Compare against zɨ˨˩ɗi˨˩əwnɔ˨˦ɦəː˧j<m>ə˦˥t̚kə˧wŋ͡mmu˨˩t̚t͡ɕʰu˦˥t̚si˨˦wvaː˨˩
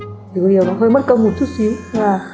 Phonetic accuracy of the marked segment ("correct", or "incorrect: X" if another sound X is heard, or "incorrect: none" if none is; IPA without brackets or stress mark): correct